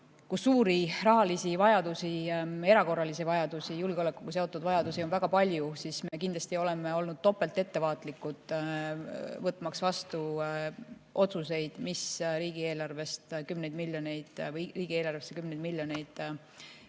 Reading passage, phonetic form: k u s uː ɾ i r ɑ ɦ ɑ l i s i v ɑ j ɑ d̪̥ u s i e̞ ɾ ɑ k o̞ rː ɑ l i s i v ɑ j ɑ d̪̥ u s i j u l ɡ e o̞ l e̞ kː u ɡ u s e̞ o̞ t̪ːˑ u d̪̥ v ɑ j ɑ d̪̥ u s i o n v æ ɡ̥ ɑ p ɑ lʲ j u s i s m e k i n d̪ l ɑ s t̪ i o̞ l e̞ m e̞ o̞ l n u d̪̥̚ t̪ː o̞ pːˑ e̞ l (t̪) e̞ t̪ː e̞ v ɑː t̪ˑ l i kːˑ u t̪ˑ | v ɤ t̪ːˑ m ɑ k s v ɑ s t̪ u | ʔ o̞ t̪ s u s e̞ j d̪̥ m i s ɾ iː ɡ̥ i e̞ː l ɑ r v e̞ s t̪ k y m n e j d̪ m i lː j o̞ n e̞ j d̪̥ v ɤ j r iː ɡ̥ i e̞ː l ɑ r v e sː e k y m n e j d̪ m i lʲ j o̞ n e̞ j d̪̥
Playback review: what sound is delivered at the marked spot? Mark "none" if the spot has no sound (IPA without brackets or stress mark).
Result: t̪